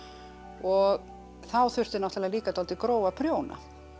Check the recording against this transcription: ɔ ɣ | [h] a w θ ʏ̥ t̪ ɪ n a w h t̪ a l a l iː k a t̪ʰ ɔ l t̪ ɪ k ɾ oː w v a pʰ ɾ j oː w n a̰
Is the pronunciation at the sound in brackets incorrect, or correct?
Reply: incorrect